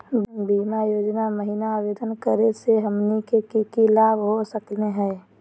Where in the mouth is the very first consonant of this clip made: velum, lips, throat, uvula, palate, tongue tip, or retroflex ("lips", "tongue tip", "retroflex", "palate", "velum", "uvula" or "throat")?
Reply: lips